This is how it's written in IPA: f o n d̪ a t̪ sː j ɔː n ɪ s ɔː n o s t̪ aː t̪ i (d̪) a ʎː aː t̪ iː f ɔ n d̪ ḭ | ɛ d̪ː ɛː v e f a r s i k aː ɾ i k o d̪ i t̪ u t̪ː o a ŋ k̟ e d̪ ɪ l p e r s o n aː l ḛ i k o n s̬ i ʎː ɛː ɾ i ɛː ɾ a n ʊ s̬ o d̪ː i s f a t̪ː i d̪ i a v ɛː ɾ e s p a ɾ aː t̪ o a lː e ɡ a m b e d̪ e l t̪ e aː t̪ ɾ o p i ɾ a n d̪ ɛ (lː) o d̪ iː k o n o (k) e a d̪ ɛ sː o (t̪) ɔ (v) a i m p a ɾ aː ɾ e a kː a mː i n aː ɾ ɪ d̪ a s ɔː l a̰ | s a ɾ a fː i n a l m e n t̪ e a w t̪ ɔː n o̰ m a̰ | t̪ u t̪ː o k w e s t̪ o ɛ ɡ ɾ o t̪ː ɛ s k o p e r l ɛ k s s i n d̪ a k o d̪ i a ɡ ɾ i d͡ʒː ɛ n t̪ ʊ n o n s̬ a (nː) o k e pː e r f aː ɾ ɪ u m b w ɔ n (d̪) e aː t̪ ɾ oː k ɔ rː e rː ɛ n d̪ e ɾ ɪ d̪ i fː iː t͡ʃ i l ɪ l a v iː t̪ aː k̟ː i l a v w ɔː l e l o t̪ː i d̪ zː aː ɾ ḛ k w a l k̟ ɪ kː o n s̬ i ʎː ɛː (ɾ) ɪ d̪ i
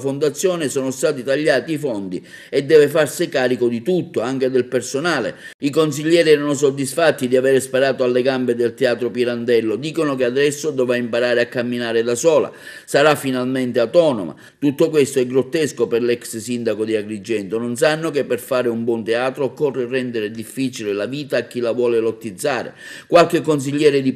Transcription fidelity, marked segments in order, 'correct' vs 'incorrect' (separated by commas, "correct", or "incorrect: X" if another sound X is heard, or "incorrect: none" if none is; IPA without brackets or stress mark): incorrect: t̪, correct, correct, incorrect: d̪, correct, correct, incorrect: t̪, correct